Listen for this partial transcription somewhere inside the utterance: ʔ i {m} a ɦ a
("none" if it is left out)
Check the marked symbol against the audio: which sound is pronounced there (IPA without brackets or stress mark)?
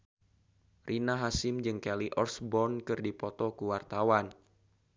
n